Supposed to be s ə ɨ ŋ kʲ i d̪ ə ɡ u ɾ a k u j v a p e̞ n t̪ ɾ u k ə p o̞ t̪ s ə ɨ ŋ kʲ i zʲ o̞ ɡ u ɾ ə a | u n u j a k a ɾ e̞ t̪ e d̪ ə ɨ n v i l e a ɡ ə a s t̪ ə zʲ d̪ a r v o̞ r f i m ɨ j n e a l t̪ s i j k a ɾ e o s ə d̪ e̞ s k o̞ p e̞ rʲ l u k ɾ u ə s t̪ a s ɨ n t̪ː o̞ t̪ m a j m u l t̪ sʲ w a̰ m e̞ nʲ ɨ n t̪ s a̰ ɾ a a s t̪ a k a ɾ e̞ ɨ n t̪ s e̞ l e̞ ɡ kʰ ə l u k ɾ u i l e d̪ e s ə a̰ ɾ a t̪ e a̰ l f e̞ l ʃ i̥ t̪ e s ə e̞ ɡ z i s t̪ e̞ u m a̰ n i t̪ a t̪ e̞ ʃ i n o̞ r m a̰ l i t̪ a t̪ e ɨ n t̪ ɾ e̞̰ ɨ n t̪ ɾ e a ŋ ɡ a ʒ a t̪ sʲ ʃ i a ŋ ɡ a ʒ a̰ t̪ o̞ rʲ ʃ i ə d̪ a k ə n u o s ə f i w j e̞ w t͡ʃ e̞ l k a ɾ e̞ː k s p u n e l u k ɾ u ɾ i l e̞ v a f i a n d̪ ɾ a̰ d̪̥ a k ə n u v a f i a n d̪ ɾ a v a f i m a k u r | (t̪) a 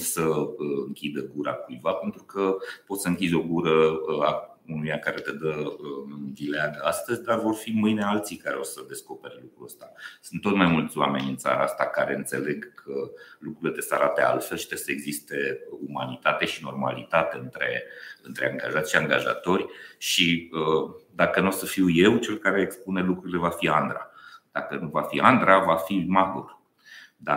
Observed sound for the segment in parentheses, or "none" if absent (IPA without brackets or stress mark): d̪